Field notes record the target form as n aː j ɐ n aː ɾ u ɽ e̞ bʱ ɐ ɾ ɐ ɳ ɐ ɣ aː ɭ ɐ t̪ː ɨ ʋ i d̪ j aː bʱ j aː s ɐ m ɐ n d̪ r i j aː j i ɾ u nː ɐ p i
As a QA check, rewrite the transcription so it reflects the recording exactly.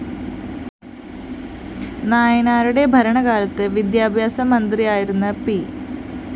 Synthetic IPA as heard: n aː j ɐ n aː ɾ u ɽ e̞ bʱ ɐ ɾ ɐ ɳ ɐ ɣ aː l ɐ t̪ː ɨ ʋ i d̪ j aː bʱ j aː s ɐ m ɐ n d̪ r i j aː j i ɾ u nː ɐ p i

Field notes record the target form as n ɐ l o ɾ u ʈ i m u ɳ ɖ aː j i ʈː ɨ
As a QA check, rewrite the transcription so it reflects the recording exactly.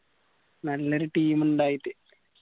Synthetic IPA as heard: n ɐ lː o ɾ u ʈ iː m u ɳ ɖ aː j i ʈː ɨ

